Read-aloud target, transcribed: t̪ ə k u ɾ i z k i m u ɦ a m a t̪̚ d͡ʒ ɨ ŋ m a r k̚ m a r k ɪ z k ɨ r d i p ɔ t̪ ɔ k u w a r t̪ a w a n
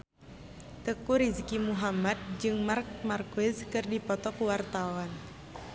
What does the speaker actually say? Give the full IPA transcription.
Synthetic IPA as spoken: t̪ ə k u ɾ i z k i m u ɦ a m a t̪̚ d͡ʒ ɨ ŋ m a r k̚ m a r k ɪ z k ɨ r d i p ɔ t̪ ɔ k u w a r t̪ a w a n